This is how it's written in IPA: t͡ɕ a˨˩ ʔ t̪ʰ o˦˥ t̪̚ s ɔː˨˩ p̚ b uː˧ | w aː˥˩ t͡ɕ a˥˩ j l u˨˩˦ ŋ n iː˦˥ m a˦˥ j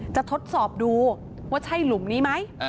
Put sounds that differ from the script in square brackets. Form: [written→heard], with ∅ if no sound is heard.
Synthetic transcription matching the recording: t͡ɕ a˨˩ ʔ t̪ʰ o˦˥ t̪̚ s ɔː˨˩ p̚ [b→d] uː˧ | w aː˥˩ [t͡ɕ→t͡ɕʰ] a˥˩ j l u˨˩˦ [ŋ→m] n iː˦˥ m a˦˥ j